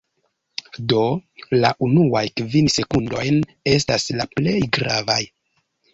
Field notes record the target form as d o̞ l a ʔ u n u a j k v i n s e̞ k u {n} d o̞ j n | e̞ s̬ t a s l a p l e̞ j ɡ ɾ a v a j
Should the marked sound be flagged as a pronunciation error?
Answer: no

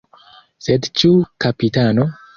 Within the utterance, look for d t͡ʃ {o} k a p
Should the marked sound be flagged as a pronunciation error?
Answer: yes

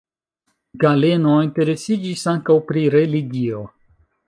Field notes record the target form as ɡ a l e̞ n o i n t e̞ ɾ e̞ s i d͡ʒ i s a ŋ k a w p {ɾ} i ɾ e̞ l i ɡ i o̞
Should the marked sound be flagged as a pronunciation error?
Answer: no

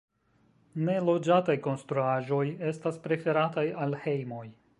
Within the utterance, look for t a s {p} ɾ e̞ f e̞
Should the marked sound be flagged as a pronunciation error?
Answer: no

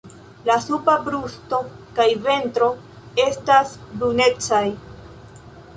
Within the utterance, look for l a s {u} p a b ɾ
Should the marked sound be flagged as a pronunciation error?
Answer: no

